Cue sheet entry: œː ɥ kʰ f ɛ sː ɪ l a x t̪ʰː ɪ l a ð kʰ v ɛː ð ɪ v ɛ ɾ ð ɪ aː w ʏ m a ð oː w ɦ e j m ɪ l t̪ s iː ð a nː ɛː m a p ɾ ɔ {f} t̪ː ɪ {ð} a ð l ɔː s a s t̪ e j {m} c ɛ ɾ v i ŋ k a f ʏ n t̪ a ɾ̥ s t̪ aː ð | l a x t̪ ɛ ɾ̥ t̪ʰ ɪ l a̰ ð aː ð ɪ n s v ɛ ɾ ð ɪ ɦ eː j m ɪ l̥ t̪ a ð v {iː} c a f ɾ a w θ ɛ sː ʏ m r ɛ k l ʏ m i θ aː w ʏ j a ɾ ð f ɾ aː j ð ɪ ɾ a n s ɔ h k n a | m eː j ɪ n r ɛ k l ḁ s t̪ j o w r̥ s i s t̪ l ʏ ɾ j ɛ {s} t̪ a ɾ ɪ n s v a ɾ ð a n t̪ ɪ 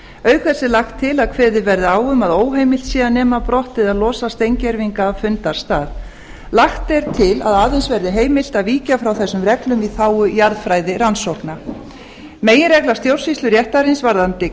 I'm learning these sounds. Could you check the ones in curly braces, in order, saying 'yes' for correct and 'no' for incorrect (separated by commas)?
no, yes, no, yes, no